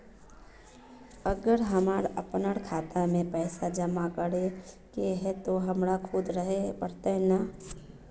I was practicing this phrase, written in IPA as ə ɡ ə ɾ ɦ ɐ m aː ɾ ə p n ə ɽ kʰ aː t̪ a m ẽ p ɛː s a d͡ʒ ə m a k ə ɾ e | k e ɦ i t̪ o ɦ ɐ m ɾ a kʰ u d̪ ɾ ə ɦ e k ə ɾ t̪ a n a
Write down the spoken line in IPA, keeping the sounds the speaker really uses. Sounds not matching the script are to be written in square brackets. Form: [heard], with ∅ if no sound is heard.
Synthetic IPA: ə ɡ ə ɾ ɦ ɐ m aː ɾ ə p n ə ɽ kʰ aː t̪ a m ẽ p ɛː s a d͡ʒ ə m a k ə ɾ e | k e ɦ [ɛ] t̪ o ɦ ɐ m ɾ a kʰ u d̪ ɾ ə ɦ e [p] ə ɾ t̪ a n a